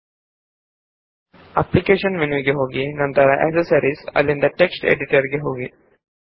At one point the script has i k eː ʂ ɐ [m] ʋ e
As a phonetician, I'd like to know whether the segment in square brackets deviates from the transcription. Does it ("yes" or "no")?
yes